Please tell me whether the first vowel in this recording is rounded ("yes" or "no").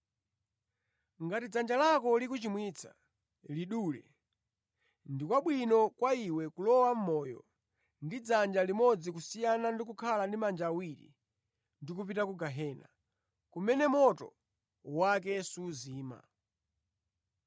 no